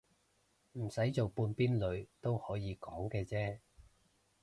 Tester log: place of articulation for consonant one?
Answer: labial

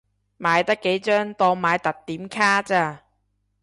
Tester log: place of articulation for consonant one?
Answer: labial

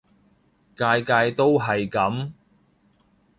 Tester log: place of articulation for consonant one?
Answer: velar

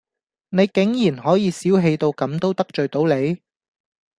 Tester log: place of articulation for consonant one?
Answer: alveolar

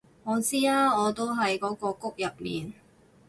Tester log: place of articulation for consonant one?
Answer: velar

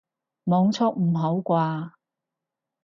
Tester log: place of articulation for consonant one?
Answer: labial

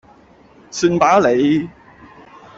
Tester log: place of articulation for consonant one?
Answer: alveolar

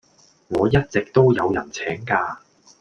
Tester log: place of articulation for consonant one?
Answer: velar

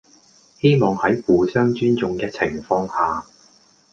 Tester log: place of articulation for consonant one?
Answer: glottal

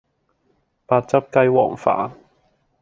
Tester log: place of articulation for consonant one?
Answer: labial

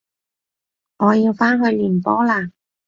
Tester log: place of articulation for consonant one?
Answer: velar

